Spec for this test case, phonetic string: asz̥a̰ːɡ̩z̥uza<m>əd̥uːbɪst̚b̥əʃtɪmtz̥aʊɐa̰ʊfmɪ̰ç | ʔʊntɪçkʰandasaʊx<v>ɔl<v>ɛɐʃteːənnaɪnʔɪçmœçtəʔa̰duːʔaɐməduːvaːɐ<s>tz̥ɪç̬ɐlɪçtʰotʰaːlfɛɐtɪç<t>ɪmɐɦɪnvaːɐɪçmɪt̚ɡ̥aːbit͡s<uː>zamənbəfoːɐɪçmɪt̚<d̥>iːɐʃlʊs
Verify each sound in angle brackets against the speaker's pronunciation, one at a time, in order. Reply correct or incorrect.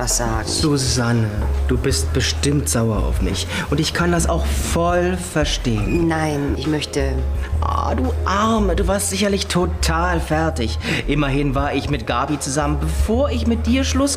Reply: incorrect, incorrect, incorrect, correct, incorrect, incorrect, correct

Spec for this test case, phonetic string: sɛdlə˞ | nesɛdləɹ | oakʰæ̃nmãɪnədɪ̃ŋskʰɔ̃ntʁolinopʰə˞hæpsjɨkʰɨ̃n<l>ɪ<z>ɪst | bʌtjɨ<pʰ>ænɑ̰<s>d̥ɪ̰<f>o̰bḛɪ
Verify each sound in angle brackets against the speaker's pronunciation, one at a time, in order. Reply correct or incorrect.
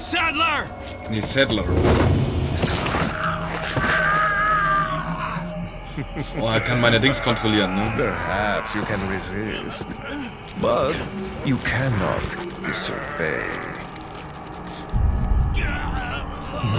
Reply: incorrect, correct, incorrect, incorrect, incorrect

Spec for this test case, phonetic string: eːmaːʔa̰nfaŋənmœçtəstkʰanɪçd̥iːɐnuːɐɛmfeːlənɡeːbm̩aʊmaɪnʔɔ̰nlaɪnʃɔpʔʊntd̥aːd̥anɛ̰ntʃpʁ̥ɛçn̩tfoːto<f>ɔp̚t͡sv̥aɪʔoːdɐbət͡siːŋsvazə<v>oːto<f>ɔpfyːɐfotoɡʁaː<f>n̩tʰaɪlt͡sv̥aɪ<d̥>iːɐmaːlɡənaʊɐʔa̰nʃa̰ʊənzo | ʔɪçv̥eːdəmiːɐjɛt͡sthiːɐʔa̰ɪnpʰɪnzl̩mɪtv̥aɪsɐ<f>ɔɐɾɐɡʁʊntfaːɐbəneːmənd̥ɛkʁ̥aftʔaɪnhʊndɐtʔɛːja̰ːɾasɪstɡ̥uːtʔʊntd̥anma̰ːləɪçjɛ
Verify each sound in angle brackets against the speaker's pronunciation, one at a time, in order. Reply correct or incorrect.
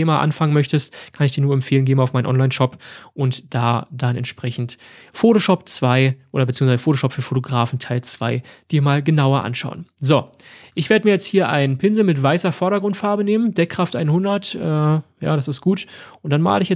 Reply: incorrect, incorrect, incorrect, correct, correct, correct

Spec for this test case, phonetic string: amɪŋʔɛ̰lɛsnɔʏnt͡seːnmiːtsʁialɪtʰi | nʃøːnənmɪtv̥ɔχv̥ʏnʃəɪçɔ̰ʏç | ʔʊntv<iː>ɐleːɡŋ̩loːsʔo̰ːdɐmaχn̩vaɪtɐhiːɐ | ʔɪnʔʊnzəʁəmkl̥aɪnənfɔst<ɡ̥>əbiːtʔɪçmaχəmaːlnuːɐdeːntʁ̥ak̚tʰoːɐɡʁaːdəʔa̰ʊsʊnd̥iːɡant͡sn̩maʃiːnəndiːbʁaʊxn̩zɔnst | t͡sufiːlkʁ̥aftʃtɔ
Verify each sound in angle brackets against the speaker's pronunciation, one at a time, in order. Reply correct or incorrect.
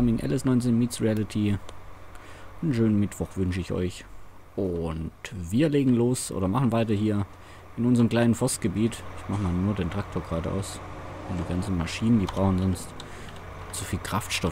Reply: correct, correct

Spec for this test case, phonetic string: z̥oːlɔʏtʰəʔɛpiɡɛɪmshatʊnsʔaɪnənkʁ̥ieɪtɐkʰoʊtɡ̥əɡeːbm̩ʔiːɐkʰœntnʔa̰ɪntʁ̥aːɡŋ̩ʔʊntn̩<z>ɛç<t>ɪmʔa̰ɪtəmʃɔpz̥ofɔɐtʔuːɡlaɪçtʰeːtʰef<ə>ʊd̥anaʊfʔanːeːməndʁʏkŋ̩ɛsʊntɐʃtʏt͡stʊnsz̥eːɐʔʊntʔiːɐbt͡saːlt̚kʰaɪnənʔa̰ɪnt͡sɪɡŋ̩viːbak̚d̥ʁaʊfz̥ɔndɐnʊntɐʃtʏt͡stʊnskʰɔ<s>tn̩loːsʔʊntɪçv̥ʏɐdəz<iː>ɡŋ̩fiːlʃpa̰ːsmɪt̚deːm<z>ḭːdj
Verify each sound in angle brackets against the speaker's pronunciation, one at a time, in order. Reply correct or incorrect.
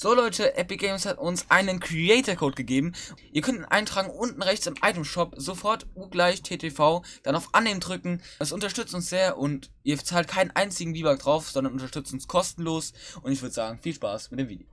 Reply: incorrect, incorrect, incorrect, correct, incorrect, incorrect

